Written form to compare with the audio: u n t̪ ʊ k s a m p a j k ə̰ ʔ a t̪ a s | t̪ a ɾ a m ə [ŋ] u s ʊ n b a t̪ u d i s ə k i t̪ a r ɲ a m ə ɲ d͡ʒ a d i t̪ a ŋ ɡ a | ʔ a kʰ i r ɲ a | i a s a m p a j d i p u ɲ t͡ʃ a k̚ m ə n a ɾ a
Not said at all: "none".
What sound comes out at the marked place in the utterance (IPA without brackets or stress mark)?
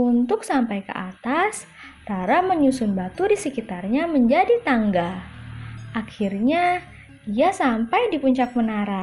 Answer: ɲ